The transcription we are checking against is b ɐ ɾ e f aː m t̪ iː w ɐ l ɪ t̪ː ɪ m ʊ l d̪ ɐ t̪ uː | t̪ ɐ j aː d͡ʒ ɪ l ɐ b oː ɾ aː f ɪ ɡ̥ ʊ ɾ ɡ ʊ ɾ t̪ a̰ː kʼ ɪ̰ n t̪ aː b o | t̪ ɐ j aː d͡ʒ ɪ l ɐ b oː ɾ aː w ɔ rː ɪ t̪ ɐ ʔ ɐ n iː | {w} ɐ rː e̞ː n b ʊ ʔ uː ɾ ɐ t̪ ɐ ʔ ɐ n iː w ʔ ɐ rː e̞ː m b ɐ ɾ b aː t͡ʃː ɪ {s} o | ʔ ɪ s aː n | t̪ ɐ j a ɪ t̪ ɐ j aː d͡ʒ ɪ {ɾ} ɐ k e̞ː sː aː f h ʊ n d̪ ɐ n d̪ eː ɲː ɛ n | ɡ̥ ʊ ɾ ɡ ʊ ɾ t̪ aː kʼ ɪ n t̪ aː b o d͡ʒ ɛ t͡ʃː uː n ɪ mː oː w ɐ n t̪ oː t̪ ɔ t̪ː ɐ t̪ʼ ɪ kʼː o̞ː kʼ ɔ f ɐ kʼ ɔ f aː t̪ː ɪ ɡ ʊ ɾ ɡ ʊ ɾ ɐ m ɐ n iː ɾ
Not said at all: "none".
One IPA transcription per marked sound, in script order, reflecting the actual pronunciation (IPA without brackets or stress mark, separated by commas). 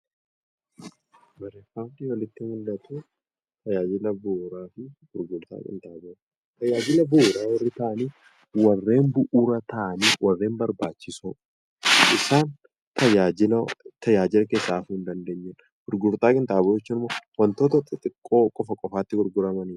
w, s, l